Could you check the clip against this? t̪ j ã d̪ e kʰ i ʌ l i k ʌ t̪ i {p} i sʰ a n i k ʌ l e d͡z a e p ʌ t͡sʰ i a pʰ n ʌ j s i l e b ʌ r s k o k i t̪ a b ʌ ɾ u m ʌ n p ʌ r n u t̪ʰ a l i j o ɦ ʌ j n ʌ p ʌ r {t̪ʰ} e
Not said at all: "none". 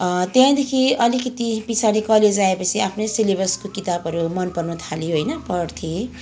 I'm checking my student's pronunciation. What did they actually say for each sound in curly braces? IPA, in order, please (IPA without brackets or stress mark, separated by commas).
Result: p, t̪ʰ